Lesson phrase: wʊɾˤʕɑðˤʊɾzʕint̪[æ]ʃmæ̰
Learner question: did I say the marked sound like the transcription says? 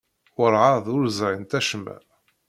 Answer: yes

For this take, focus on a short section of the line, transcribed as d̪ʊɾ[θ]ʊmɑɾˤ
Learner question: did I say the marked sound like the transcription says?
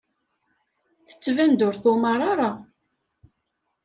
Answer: yes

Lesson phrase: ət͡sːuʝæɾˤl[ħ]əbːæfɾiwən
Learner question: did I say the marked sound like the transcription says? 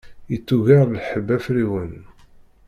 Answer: yes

